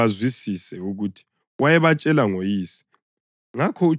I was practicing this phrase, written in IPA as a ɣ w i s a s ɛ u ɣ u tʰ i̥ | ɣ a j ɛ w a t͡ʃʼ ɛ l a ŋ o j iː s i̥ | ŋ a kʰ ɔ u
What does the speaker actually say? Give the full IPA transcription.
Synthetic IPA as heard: a z w i s i s ɛ u ɣ u tʰ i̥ | w a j ɛ β a t͡ʃʼ ɛ l a ŋ o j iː s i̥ | ŋ a kʰ ɔ u